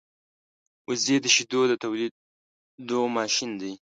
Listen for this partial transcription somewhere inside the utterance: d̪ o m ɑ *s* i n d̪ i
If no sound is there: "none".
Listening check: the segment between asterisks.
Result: ʃ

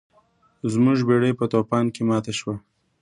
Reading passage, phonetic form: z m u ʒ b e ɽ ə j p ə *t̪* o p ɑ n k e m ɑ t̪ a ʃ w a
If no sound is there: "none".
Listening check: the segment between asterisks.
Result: t̪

